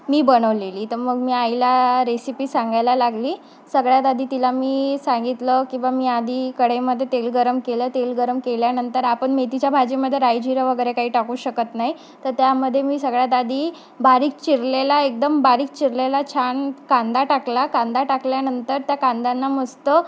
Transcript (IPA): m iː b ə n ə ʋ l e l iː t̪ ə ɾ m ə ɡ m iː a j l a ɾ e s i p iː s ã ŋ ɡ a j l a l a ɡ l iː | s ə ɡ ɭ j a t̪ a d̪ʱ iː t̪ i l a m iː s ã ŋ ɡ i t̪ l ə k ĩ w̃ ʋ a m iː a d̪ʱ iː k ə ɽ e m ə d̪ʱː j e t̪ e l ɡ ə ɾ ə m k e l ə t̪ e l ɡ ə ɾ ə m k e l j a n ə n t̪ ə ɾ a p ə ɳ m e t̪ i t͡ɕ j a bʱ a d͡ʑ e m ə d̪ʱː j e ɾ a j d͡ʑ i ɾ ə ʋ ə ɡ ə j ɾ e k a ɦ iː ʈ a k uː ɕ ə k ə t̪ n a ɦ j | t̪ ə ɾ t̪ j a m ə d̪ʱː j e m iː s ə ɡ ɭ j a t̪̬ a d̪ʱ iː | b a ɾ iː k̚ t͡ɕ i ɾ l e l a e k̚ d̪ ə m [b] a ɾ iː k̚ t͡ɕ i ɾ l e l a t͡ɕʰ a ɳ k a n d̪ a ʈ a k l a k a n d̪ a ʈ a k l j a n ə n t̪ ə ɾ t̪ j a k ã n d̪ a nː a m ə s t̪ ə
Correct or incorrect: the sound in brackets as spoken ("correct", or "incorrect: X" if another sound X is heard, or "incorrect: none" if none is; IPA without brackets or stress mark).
correct